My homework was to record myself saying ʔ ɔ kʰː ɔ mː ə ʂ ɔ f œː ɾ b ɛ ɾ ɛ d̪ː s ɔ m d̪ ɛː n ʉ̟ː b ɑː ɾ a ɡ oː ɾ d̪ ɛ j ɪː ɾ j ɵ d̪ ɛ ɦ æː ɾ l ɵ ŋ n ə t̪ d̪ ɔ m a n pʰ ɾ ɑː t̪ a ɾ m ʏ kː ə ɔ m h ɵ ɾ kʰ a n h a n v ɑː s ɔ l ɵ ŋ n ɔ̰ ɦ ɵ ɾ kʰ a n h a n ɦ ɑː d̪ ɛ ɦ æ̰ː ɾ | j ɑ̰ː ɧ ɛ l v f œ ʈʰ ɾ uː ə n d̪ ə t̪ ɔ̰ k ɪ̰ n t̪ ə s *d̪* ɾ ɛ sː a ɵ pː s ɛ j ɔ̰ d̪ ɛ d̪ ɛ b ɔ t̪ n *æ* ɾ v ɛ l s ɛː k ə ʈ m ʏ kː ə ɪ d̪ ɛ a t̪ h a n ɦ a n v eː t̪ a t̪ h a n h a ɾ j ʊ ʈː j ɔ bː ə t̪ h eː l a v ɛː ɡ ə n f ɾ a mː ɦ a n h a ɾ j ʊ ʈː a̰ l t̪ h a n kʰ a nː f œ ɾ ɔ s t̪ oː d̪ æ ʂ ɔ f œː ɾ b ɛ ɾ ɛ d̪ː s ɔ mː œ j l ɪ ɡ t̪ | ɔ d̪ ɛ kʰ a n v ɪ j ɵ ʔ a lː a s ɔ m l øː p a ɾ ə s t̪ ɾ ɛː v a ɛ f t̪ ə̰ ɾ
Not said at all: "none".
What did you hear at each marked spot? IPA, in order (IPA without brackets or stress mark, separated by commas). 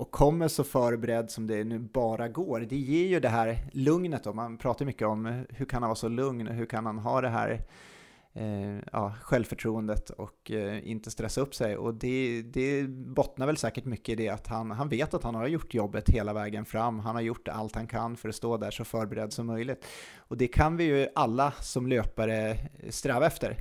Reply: t̪, a